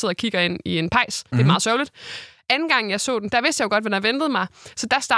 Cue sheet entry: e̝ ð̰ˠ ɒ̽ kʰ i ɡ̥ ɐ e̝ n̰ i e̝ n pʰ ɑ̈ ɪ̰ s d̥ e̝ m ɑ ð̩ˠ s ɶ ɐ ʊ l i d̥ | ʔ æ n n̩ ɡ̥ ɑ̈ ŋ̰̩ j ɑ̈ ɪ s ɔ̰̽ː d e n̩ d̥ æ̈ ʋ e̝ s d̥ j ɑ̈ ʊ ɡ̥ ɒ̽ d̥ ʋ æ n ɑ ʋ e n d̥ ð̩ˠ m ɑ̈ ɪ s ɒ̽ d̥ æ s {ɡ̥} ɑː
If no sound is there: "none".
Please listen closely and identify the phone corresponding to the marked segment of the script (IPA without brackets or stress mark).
d̥